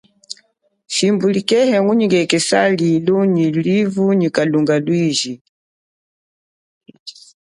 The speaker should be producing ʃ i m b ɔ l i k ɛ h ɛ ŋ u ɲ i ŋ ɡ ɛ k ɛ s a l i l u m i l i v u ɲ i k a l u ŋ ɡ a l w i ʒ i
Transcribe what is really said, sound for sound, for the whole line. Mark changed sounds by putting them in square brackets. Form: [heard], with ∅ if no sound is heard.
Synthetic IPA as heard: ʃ i m b [u] l i k ɛ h ɛ ŋ u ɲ i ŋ ɡ ɛ k ɛ s a l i l u [ɲ] i l i v u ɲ i k a l u ŋ ɡ a l w i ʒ i